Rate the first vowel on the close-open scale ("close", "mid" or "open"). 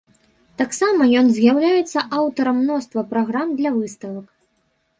open